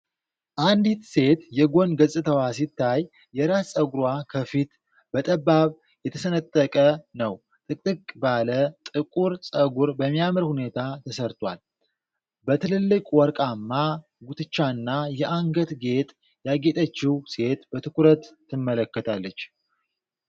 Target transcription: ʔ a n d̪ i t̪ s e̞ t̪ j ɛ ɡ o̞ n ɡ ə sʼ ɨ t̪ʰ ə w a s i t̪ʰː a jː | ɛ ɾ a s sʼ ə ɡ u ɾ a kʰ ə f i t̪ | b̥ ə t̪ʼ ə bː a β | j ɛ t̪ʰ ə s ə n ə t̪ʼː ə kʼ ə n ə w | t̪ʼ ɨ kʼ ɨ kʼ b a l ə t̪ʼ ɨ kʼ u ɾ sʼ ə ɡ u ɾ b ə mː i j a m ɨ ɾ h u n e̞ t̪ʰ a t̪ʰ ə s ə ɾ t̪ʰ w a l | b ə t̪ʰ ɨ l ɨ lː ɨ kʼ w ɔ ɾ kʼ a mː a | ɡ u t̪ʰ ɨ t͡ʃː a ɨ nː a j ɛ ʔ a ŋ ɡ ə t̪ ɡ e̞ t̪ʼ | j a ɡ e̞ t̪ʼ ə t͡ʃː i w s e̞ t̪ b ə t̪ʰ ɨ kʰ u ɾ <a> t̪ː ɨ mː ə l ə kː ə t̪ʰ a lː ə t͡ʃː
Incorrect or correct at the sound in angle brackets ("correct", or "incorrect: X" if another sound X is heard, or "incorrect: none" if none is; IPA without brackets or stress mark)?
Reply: incorrect: ə